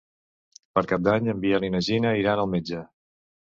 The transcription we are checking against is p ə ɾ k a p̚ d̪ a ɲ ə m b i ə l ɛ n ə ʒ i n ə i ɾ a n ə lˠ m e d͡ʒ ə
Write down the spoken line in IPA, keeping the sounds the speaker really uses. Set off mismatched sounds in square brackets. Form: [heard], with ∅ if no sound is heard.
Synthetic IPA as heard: p ə ɾ k a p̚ d̪ a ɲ ə m b i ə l [i] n ə ʒ i n ə i ɾ a n ə lˠ m e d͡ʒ ə